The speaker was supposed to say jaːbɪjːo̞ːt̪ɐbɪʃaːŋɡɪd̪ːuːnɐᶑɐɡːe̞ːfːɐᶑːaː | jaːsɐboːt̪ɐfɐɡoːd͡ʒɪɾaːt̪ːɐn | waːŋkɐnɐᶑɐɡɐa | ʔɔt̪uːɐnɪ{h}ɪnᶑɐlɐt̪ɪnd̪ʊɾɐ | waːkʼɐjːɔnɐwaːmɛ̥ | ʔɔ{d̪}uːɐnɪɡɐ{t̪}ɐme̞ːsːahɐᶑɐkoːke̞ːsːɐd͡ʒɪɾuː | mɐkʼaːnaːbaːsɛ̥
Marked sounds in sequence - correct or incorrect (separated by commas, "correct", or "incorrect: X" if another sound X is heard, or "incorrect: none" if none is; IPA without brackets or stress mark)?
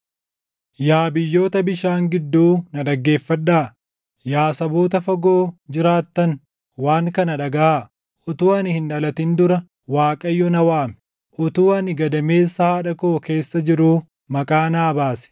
correct, incorrect: t̪, incorrect: d̪